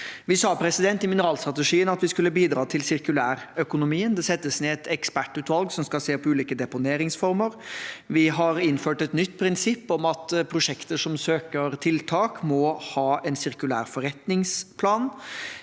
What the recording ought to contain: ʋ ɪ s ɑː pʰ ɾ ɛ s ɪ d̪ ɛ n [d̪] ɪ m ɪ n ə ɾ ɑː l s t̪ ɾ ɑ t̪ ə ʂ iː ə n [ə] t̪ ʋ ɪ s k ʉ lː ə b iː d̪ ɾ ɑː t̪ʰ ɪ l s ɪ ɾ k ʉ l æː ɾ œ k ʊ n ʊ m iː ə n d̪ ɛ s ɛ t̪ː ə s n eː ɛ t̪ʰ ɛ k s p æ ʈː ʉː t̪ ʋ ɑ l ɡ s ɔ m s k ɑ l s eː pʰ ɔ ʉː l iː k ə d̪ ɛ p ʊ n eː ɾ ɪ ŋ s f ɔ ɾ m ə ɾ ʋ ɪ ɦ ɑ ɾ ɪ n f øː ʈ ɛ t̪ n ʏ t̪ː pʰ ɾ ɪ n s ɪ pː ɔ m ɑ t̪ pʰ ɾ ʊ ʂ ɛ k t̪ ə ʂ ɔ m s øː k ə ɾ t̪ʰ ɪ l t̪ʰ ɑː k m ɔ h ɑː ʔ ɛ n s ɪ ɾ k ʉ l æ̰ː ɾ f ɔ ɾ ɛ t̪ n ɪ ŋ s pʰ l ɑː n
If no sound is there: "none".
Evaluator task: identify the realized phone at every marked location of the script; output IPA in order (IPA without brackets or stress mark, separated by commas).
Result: t̪, ɑ